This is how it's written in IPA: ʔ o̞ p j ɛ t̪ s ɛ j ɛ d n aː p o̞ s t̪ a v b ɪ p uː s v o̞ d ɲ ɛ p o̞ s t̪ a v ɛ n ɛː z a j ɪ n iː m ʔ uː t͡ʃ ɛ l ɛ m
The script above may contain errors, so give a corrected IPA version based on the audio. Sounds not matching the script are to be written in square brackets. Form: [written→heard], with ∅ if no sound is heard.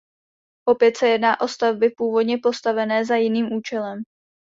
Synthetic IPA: ʔ o̞ p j ɛ t̪ s ɛ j ɛ d n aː [p→ʔ] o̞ s t̪ a v b ɪ p uː [s→∅] v o̞ d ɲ ɛ p o̞ s t̪ a v ɛ n ɛː z a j ɪ n iː m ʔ uː t͡ʃ ɛ l ɛ m